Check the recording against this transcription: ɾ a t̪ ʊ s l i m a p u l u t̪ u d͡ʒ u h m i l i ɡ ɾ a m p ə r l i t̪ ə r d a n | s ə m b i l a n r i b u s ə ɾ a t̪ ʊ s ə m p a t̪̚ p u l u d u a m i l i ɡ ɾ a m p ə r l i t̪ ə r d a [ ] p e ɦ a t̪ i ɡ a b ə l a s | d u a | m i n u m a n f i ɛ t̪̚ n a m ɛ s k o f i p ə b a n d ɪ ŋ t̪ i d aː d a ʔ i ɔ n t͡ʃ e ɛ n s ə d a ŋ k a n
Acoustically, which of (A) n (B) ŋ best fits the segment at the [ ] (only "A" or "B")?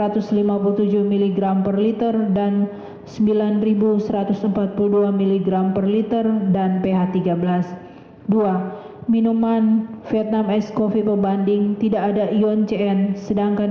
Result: A